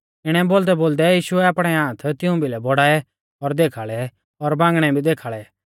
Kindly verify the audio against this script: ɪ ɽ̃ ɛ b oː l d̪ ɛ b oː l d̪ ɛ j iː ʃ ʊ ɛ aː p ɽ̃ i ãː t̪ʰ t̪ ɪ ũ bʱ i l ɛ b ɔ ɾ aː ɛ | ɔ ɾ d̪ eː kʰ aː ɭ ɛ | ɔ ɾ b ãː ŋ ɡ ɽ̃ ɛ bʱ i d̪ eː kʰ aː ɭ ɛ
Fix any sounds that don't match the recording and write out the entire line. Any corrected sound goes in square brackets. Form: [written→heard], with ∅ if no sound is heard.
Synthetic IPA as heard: ɪ ɽ̃ ɛ b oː l d̪ ɛ b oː l d̪ ɛ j iː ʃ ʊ ɛ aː p ɽ̃ [i→ɛ] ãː t̪ʰ t̪ ɪ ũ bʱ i l ɛ b ɔ [ɾ→ɽ] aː ɛ | ɔ ɾ d̪ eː kʰ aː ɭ ɛ | ɔ ɾ b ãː ŋ ɡ ɽ̃ ɛ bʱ i d̪ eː kʰ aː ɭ ɛ